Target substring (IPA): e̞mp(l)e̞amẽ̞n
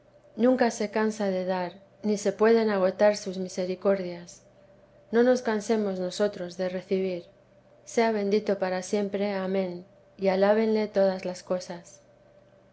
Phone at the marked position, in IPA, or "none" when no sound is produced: ɾ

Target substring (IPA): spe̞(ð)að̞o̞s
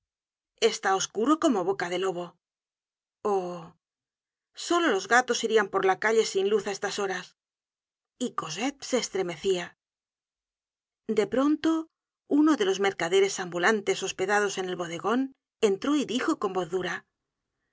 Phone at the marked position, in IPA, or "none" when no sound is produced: ð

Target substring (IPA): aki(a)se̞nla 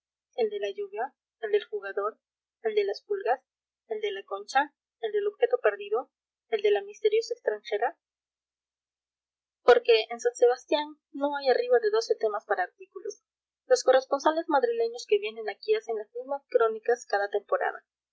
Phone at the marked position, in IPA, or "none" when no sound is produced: a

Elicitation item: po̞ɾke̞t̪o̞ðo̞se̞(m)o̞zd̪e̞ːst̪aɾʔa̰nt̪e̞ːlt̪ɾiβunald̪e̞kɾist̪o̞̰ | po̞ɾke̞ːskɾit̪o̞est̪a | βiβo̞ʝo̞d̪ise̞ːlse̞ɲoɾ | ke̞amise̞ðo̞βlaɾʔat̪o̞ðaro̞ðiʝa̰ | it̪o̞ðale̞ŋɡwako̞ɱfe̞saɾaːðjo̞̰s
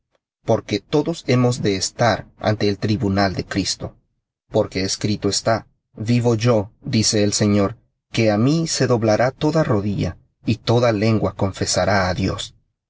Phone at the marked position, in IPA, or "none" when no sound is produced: m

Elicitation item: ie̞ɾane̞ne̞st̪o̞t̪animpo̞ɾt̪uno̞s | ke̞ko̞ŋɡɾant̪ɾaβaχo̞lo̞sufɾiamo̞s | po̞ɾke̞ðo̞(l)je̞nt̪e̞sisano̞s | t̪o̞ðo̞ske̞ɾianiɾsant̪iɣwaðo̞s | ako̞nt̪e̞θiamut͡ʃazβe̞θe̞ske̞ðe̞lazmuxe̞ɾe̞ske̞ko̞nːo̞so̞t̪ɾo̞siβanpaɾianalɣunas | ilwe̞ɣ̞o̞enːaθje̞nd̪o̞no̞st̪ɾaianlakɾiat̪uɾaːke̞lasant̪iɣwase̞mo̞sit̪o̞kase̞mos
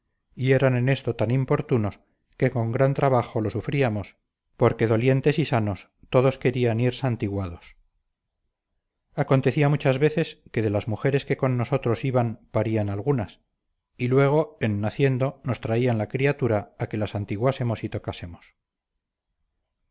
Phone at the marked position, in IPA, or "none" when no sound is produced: l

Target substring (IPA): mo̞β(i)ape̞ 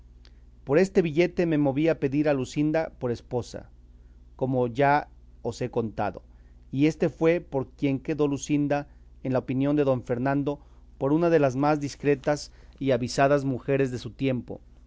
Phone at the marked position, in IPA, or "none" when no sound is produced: i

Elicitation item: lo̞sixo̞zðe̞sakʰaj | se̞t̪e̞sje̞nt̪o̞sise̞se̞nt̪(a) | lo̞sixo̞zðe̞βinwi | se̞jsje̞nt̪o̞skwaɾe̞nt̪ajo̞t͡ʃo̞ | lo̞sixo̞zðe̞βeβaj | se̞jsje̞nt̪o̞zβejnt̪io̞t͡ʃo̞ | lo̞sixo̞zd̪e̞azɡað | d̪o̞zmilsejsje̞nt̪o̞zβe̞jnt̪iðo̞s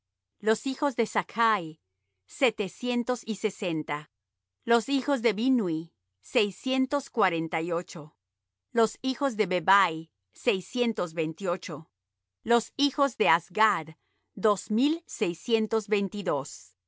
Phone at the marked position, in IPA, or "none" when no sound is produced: a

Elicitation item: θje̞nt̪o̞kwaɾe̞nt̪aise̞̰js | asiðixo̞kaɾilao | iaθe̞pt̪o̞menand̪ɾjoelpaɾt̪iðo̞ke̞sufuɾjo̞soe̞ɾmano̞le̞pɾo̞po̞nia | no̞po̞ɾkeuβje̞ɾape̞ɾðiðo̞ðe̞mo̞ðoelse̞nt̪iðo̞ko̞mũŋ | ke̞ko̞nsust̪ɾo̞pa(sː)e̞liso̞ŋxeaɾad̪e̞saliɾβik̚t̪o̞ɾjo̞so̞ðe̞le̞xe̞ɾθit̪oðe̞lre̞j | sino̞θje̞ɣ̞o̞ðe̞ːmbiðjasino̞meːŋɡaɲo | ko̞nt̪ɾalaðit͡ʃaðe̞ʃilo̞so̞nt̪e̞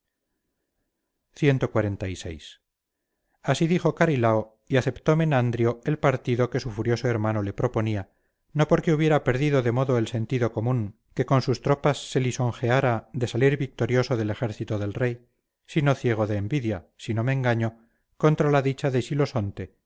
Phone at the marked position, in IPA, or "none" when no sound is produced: sː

